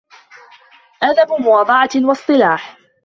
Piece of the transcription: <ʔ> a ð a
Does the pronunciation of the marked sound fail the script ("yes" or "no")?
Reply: no